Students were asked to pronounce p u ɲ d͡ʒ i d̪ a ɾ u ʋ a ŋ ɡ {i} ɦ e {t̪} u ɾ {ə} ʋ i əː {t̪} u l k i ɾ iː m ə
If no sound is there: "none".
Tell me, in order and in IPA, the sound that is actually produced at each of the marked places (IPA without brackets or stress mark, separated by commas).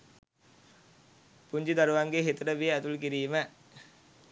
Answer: e, t̪, ə, t̪